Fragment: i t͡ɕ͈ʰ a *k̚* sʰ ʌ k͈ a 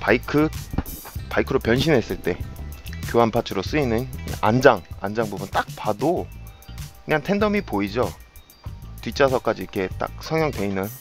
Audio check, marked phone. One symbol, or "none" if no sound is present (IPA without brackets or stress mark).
none